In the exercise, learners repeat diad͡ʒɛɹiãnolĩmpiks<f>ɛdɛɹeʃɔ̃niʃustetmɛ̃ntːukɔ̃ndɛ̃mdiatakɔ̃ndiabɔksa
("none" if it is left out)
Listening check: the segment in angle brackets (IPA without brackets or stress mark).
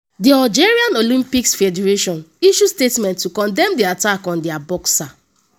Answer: f